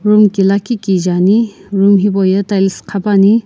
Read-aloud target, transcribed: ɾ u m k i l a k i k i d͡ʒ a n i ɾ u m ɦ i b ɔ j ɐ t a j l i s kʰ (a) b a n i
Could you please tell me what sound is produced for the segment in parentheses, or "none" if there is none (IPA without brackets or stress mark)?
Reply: a